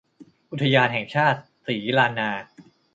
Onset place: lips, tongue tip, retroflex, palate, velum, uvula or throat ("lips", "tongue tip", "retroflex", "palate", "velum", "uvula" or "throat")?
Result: throat